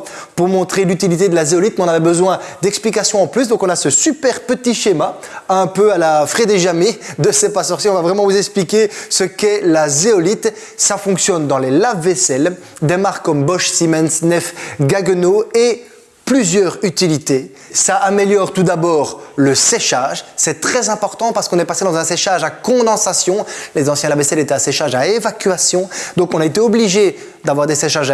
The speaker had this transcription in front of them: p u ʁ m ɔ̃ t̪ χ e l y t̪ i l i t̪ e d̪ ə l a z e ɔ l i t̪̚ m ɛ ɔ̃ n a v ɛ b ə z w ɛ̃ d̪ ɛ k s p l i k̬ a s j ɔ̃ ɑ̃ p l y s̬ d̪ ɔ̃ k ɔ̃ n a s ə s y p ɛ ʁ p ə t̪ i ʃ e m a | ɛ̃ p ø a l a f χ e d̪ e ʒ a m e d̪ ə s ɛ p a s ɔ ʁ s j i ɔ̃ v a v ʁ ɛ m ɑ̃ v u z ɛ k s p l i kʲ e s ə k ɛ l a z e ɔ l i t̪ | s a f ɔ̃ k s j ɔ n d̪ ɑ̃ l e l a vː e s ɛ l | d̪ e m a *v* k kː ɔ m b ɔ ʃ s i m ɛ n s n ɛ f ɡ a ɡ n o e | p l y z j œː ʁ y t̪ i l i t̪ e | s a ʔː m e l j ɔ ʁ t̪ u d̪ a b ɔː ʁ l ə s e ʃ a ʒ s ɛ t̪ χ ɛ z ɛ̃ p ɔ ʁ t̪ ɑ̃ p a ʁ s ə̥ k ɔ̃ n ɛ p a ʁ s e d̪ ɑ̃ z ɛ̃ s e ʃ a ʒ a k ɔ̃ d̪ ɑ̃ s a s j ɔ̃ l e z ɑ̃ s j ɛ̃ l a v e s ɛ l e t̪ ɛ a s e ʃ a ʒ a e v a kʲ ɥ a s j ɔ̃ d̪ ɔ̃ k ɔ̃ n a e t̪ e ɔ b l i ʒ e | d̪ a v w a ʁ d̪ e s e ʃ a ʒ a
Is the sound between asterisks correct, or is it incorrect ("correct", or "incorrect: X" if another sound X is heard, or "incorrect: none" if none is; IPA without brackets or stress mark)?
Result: incorrect: ʁ